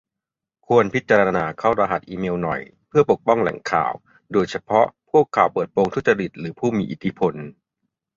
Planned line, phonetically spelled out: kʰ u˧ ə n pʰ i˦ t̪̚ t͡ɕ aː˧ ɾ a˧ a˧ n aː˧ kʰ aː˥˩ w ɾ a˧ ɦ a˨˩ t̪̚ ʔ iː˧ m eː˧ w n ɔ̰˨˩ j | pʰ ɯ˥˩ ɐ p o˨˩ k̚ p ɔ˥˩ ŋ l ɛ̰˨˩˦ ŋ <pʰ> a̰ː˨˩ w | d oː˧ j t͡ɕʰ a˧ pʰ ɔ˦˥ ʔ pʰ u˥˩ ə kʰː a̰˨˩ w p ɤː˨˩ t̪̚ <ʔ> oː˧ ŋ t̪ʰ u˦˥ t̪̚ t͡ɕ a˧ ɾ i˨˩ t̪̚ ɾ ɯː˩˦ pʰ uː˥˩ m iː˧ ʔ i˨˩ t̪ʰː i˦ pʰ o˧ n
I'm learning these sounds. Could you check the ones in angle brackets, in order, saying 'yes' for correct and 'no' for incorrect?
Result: no, no

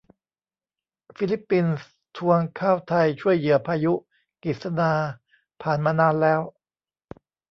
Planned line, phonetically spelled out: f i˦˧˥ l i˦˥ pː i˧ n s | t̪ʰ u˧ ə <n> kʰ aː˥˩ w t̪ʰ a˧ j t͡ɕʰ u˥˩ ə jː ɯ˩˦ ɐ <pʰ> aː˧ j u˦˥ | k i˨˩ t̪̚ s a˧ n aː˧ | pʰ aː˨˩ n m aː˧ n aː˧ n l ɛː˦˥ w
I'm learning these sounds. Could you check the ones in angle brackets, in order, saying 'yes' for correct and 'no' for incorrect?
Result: no, yes

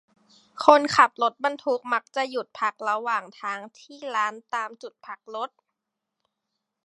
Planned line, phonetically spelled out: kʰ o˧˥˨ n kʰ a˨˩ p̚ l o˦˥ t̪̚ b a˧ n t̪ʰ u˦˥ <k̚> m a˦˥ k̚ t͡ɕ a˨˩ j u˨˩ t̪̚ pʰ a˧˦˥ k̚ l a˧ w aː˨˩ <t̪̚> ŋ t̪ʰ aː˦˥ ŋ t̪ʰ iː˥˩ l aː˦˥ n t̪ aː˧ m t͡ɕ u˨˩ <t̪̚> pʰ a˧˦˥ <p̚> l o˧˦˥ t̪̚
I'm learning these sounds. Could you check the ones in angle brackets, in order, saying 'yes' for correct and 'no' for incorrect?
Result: yes, no, yes, no

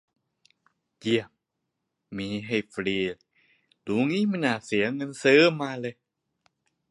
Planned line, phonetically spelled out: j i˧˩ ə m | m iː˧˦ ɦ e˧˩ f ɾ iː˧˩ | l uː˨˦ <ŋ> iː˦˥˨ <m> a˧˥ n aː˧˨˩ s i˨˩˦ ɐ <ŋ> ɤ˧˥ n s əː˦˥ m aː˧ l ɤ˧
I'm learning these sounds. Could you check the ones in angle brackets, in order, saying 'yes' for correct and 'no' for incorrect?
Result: yes, yes, yes

